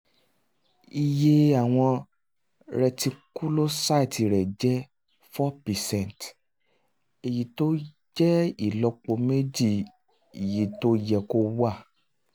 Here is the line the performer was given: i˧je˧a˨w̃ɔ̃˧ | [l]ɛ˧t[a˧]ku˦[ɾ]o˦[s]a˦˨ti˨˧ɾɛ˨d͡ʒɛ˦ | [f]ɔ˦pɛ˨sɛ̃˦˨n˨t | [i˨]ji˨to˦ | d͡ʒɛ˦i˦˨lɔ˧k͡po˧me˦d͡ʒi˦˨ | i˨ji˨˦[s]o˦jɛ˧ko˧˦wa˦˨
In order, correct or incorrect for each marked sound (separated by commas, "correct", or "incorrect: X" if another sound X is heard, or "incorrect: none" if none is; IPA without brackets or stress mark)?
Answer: incorrect: ɾ, incorrect: i˧, incorrect: l, correct, correct, incorrect: e˨, incorrect: t